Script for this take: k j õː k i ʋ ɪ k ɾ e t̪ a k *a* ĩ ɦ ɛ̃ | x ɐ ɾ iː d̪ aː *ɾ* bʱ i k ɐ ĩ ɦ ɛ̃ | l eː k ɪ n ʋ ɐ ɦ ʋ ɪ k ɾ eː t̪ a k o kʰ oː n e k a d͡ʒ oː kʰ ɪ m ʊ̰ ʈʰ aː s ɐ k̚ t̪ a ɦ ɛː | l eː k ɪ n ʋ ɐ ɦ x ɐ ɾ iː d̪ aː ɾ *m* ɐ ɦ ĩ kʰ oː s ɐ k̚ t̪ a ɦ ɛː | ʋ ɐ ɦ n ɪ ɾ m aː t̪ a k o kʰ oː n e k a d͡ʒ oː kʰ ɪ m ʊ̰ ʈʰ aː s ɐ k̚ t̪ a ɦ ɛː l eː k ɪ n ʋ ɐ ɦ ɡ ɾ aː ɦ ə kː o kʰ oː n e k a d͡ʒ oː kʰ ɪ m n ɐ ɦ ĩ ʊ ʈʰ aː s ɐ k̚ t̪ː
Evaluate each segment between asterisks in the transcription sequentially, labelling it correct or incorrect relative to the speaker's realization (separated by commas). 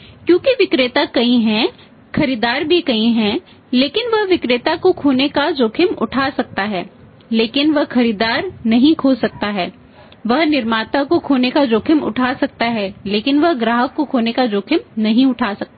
incorrect, correct, incorrect